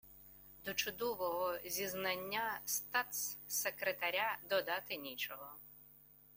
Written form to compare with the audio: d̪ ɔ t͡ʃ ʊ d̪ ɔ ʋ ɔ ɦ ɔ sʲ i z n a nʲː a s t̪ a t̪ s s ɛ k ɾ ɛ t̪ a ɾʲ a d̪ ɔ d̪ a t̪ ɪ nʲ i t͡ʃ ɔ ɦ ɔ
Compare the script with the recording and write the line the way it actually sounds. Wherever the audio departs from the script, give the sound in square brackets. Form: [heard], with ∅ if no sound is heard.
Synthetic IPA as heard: d̪ ɔ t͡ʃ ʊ d̪ ɔ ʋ ɔ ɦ ɔ [zʲ] i z n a nʲː a s t̪ a t̪ s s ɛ k ɾ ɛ t̪ a ɾʲ a d̪ ɔ d̪ a t̪ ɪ nʲ i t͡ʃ ɔ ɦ ɔ